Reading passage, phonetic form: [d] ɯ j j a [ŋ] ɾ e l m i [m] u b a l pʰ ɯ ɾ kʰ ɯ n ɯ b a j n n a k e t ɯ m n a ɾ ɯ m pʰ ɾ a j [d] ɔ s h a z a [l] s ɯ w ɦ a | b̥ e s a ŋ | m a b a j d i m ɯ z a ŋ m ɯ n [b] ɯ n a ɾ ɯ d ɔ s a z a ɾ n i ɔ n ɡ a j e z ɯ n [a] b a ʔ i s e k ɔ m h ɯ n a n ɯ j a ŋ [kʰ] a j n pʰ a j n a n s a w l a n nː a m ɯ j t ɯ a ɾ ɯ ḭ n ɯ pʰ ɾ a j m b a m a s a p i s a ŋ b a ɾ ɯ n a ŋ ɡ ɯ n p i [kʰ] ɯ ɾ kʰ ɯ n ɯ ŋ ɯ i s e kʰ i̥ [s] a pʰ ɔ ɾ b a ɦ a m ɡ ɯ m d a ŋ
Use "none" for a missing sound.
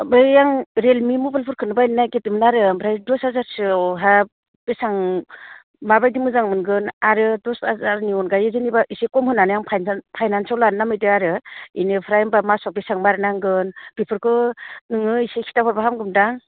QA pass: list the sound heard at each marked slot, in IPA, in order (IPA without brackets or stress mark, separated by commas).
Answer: b, ŋ, m, d, ɾ, ɡ, i, pʰ, pʰ, t